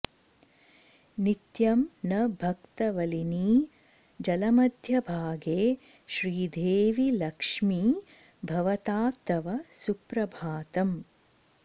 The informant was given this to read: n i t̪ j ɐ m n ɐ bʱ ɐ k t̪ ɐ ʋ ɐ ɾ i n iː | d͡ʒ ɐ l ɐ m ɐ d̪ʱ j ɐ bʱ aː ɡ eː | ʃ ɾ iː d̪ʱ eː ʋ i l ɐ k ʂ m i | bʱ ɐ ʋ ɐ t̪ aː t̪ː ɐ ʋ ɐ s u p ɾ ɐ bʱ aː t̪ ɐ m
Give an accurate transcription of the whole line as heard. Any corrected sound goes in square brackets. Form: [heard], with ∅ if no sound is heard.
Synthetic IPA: n i t̪ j ɐ m n ɐ bʱ ɐ k t̪ ɐ ʋ ɐ [l] i n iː | d͡ʒ ɐ l ɐ m ɐ d̪ʱ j ɐ bʱ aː ɡ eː | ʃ ɾ iː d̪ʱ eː ʋ i l ɐ k ʂ m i | bʱ ɐ ʋ ɐ t̪ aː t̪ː ɐ ʋ ɐ s u p ɾ ɐ bʱ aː t̪ ɐ m